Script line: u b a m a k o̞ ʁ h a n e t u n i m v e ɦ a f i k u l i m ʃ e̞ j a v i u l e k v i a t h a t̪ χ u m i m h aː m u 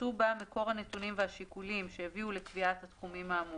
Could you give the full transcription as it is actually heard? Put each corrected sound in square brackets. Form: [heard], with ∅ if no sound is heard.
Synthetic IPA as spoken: u b a m [e] k o̞ ʁ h a n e t u n i m v e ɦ a [ʃ] i k u l i m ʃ e̞ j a v i u l e k v i a t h a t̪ χ u m i m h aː m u